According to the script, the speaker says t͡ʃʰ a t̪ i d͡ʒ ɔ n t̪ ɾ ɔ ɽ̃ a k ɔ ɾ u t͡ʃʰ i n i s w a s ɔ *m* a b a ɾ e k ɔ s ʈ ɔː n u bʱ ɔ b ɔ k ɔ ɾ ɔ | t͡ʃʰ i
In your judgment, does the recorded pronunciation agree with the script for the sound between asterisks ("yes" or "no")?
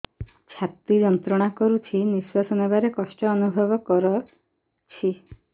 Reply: no